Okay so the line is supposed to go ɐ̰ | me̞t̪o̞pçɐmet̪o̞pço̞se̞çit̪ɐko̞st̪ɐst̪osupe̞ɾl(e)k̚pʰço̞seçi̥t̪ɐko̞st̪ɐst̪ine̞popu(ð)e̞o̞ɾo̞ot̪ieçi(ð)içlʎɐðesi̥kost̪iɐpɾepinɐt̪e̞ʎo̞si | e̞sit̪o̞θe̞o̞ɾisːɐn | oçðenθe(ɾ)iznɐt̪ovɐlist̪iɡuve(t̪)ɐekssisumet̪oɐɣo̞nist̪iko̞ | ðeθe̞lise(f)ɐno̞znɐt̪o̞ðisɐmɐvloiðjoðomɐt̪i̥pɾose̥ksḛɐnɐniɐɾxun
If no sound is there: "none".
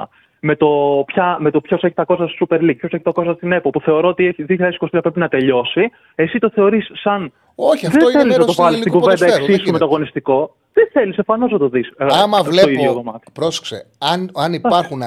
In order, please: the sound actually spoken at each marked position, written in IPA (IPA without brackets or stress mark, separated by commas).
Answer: i, θ, ð, l, d̪, f